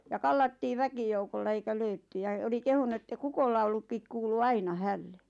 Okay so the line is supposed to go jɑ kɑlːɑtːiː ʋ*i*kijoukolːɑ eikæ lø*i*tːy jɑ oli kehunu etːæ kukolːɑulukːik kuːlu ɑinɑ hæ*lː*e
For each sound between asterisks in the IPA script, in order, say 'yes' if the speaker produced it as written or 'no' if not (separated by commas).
no, no, yes